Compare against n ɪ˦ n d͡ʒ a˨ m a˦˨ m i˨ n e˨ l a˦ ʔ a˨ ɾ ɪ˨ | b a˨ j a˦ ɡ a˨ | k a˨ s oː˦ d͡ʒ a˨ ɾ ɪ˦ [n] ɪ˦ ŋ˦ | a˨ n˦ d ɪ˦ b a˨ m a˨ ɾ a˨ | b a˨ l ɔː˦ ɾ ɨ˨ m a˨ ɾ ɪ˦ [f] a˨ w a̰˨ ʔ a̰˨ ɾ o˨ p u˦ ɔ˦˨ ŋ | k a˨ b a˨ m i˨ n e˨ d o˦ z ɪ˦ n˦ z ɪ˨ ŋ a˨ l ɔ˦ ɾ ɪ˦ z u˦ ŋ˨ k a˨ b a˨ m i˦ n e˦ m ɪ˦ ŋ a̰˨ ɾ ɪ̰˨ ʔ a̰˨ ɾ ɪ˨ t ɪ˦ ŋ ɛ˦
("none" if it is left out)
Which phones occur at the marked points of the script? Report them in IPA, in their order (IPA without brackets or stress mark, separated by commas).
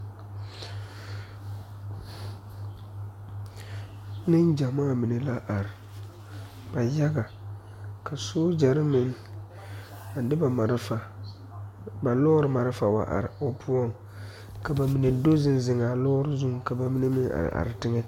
m, f